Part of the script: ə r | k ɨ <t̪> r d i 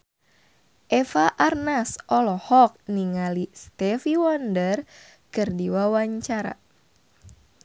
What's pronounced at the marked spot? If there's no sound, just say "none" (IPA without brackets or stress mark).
none